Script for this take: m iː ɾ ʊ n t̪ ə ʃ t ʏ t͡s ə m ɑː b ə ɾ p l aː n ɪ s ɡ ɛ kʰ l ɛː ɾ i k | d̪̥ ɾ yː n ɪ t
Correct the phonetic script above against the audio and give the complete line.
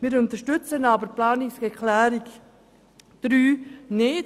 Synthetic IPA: m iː ɾ ʊ n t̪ ə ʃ t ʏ t͡s ə n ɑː b ə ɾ p l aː n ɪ s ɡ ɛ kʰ l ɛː ɾ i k | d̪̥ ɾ yː n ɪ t